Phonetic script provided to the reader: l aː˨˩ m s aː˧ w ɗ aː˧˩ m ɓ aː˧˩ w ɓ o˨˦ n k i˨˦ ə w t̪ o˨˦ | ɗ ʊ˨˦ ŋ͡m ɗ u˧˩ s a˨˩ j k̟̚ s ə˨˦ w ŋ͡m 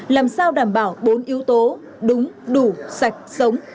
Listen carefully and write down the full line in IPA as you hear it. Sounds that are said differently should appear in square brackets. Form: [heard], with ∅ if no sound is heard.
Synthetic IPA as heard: l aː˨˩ m s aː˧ w ɗ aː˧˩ m ɓ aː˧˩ w ɓ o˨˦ n [ʔ] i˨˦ ə w t̪ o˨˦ | ɗ ʊ˨˦ ŋ͡m ɗ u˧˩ s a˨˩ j k̟̚ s ə˨˦ w ŋ͡m